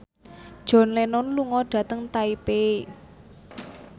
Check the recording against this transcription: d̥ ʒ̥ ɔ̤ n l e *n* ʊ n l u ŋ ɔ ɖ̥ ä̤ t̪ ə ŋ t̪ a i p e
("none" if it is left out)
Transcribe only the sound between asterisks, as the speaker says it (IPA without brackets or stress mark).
n